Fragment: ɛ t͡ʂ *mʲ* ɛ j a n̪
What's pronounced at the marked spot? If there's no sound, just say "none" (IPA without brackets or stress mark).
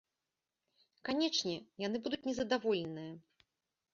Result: nʲ